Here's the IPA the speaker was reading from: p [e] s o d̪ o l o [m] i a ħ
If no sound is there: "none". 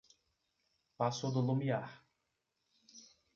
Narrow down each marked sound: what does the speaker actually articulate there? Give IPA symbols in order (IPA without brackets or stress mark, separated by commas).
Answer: a, m